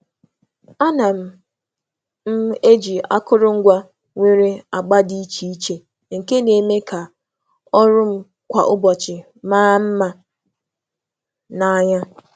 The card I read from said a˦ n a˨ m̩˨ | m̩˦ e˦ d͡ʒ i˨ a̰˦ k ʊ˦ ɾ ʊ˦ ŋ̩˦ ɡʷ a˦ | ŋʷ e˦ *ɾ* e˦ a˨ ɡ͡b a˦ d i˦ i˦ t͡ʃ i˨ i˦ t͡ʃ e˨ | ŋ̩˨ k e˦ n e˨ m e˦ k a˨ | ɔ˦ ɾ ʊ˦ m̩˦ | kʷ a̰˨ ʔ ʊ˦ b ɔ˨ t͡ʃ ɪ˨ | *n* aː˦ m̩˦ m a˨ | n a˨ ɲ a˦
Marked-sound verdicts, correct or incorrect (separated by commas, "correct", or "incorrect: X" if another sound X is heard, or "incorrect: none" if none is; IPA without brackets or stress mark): correct, incorrect: m